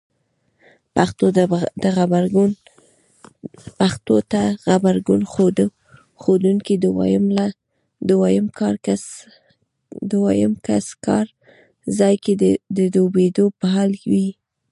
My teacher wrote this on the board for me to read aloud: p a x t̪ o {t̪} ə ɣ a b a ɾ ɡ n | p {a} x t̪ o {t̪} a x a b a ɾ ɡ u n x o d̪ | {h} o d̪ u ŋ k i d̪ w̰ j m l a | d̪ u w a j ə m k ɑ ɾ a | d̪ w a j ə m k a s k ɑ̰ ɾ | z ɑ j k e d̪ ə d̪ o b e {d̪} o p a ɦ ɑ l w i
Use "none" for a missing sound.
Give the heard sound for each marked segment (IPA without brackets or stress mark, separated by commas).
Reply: d̪, a, t̪, x, d̪